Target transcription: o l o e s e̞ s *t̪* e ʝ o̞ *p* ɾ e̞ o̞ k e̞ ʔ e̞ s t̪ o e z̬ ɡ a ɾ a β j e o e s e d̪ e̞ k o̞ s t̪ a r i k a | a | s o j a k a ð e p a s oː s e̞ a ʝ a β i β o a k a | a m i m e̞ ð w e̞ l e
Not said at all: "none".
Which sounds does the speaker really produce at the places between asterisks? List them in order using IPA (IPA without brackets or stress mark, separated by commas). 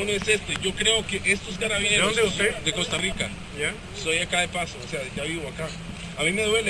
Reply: t̪, k